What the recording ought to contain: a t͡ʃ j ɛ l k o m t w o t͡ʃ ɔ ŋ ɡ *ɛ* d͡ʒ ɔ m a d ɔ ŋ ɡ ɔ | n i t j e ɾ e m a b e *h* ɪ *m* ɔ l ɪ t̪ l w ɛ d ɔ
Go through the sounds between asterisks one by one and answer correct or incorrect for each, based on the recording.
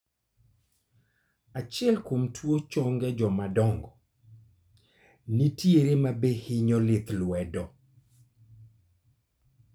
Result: correct, correct, incorrect

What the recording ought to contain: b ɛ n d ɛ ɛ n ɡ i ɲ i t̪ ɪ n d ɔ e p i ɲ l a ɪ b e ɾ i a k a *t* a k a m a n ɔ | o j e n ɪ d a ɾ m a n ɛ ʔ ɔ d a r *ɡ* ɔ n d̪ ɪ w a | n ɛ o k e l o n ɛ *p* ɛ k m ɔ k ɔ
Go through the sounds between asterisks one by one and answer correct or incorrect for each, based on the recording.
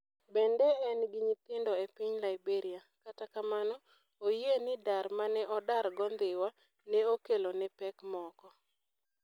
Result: correct, correct, correct

